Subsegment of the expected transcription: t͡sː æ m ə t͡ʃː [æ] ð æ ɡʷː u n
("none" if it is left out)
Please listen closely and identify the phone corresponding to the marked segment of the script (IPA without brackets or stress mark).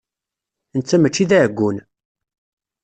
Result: i